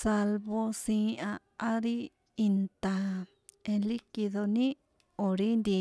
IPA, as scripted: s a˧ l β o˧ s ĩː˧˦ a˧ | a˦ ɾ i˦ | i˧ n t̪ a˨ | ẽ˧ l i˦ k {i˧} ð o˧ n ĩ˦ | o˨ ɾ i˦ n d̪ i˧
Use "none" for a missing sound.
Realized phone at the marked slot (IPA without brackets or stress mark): i˧